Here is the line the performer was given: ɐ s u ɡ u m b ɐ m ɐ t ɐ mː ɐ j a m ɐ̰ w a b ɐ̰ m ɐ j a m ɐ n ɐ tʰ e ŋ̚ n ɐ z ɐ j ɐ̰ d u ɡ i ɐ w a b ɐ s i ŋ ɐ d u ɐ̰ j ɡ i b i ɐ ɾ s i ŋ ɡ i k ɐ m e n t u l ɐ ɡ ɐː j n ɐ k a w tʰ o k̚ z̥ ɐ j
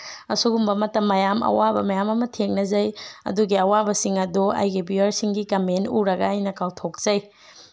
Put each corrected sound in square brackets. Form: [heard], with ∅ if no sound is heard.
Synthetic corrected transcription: ɐ s u ɡ u m b ɐ m ɐ t ɐ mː ɐ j a m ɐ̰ w a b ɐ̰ m ɐ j a m ɐ [m] ɐ tʰ e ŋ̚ n ɐ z ɐ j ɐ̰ d u ɡ i ɐ w a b ɐ s i ŋ ɐ d u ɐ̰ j ɡ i b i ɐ ɾ s i ŋ ɡ i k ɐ m e n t u [ɾ] ɐ ɡ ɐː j n ɐ k a w tʰ o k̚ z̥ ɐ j